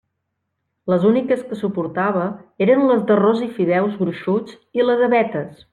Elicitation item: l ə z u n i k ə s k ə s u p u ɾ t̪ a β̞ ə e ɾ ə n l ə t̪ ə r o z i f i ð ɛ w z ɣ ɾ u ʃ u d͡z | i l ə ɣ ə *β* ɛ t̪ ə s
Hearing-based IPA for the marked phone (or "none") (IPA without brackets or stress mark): β